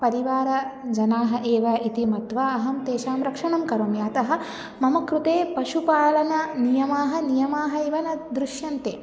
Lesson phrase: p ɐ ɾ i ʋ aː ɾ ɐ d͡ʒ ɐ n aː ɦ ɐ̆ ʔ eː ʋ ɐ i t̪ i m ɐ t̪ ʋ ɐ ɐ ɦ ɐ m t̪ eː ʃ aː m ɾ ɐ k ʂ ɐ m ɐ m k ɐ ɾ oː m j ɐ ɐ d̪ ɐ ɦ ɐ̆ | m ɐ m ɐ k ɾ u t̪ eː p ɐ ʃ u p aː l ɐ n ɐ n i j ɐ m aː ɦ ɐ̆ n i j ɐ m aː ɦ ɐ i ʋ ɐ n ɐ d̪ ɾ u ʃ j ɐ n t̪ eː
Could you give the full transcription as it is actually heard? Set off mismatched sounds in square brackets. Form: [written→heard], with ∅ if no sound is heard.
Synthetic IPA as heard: p ɐ ɾ i ʋ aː ɾ ɐ d͡ʒ ɐ n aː ɦ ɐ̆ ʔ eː ʋ ɐ i t̪ i m ɐ t̪ ʋ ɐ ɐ ɦ ɐ m t̪ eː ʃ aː m ɾ ɐ k ʂ ɐ [m→ɳ] ɐ m k ɐ ɾ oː m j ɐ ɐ [d̪→t̪] ɐ ɦ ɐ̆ | m ɐ m ɐ k ɾ u t̪ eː p ɐ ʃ u p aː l ɐ n ɐ n i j ɐ m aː ɦ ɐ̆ n i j ɐ m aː ɦ ɐ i ʋ ɐ n ɐ d̪ ɾ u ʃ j ɐ n t̪ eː